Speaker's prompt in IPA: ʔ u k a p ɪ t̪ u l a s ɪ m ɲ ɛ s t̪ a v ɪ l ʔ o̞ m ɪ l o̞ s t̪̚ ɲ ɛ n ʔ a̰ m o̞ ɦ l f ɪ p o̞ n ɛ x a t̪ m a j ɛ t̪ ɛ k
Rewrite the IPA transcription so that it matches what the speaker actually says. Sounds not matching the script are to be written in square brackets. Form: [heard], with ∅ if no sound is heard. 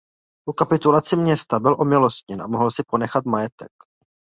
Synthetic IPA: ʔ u k a p ɪ t̪ u l a [t͡s] ɪ m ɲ ɛ s t̪ a [b] ɪ l ʔ o̞ m ɪ l o̞ s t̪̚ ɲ ɛ n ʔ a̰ m o̞ ɦ l [s] ɪ p o̞ n ɛ x a t̪ m a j ɛ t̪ ɛ k